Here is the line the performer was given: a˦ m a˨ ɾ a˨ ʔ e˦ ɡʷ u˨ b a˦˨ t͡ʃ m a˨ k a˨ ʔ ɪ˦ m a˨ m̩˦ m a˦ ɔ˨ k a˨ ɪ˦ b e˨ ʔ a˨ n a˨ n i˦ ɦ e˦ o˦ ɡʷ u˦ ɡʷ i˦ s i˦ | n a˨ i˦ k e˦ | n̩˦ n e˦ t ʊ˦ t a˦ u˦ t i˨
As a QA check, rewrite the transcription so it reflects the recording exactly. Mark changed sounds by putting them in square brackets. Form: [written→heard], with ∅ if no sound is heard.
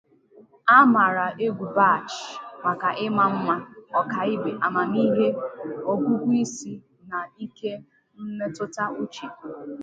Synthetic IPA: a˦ m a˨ ɾ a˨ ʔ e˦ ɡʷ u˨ b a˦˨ t͡ʃ m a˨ k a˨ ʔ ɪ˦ m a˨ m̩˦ m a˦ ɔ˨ k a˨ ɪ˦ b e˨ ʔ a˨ [n→m] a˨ n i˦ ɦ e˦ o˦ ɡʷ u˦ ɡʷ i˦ s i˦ | n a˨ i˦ k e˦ | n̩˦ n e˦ t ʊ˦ t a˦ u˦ [t→t͡ʃ] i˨